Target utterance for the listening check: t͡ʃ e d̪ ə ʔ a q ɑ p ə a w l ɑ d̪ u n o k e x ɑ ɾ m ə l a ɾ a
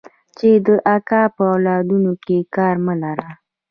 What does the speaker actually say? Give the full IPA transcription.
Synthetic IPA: t͡ʃ e d̪ ə ʔ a k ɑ p ə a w l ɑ d̪ u n o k e k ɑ ɾ m ə l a ɾ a